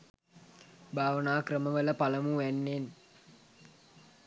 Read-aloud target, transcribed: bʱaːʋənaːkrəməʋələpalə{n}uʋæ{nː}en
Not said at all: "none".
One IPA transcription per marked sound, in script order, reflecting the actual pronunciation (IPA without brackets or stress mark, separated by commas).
m, nː